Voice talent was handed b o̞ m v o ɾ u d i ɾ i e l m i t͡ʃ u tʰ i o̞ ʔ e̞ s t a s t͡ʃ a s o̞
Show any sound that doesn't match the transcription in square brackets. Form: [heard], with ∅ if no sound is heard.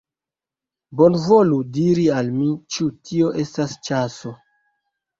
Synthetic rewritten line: b o̞ [n] v o [l] u d i ɾ i [a] l m i t͡ʃ u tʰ i o̞ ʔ e̞ s t a s t͡ʃ a s o̞